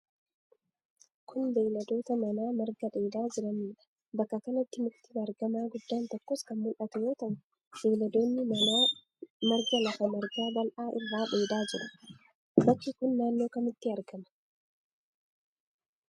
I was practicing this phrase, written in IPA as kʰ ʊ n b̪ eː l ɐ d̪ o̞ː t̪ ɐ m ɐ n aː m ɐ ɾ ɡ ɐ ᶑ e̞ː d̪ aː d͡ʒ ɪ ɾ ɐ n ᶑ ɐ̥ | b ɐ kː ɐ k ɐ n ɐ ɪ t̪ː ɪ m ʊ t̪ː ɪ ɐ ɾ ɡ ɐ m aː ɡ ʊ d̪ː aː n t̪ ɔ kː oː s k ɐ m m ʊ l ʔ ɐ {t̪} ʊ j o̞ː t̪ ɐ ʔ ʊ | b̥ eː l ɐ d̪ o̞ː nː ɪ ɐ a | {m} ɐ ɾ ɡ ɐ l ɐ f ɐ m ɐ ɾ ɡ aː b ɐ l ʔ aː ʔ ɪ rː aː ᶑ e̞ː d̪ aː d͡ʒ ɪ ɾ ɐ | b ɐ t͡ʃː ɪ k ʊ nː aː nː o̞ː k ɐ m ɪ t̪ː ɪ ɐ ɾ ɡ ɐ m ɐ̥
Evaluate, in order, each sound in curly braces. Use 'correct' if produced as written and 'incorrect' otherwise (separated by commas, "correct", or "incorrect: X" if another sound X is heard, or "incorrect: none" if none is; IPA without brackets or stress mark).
correct, correct